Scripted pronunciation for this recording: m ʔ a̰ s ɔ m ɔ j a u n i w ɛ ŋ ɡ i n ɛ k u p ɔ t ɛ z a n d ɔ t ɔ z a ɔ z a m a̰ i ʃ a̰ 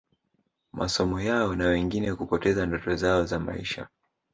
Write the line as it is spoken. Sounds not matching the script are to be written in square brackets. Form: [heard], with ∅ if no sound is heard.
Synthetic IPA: m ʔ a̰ s ɔ m ɔ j a [ɔ] n [a] w ɛ ŋ ɡ i n ɛ k u p ɔ t ɛ z a n d ɔ t ɔ z a ɔ z a m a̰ i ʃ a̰